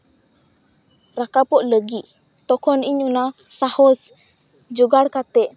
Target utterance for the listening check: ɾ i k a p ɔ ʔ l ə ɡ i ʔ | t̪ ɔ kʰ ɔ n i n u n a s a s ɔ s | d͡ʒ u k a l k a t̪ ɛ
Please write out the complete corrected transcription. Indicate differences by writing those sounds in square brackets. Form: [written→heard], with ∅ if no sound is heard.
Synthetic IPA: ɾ [i→a] k a p ɔ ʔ l ə ɡ i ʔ | t̪ ɔ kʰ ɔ n i [n→ɲ] u n a s a [s→h] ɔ s | d͡ʒ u [k→ɡ] a [l→ɽ] k a t̪ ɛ